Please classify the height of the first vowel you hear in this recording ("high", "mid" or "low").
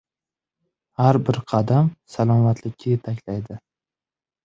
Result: low